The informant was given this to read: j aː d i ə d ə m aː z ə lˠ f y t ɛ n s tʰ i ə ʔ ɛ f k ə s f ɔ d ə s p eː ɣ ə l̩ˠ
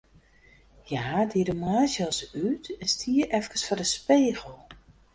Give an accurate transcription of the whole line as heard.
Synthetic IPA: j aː d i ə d ə m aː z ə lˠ s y t ɛ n s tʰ i ə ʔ ɛ f k ə s f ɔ d ə s p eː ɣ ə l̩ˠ

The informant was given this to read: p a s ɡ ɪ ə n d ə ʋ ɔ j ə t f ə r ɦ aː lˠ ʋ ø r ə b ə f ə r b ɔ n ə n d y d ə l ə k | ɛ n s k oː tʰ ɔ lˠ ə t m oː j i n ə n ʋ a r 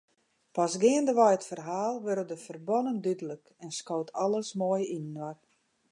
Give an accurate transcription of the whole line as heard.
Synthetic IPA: p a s ɡ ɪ ə n d ə ʋ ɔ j ə t f ə r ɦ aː lˠ ʋ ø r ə d ə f ə r b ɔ n ə n d y d ə l ə k | ɛ n s k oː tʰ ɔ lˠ ə s m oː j i n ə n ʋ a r

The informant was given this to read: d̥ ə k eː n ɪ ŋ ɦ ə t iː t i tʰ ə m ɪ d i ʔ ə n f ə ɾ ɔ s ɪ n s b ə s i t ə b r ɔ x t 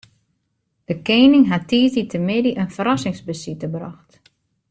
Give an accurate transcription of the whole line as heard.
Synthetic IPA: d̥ ə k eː n ɪ ŋ ɦ a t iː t i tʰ ə m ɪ d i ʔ ə n f ə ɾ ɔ s ɪ ŋ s b ə s i t ə b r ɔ x t

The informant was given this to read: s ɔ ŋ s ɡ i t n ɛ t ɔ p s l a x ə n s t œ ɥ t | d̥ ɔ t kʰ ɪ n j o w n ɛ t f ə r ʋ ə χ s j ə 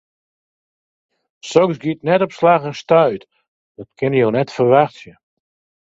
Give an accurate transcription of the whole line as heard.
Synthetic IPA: s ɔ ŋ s ɡ i t n ɛ t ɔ p s l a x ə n s t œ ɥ t | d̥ ɔ t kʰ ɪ n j o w n ɛ t f ə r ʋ a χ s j ə

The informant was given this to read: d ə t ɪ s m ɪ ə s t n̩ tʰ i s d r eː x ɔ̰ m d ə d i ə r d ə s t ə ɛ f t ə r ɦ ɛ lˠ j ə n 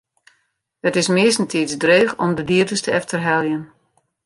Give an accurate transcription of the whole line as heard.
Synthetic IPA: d ə t ɪ s m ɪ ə s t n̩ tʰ i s d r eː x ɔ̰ m d ə d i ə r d ə s t ə ɛ f t ə r ɦ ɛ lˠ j ə n

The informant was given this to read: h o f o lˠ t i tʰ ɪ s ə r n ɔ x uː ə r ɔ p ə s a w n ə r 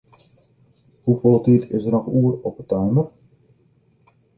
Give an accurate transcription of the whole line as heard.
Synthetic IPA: h u f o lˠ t i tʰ ɪ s ə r n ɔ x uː ə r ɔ p ə t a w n ə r

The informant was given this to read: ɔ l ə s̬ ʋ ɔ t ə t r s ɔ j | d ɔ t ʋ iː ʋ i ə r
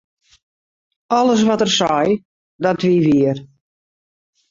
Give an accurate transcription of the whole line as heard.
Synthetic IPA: ɔ l ə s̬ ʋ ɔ t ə r s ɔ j | d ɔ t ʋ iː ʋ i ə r

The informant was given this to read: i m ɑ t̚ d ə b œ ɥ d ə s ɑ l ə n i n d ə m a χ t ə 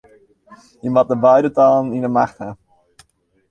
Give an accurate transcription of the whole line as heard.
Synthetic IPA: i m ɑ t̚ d ə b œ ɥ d ə t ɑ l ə n i n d ə m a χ t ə

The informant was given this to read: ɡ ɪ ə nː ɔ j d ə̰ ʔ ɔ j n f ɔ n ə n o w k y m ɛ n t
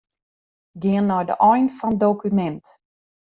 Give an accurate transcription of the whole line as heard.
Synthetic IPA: ɡ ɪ ə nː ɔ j d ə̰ ʔ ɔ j n f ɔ n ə d o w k y m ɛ n t

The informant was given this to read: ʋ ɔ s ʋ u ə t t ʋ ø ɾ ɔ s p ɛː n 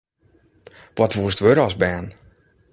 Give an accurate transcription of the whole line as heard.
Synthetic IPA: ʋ ɔ t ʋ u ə s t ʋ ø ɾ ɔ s b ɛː n

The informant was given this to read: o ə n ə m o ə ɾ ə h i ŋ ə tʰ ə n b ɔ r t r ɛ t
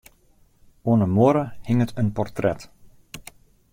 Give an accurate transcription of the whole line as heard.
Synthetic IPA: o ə n ə m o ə ɾ ə h ɪ ŋ ə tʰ ə n p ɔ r t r ɛ t

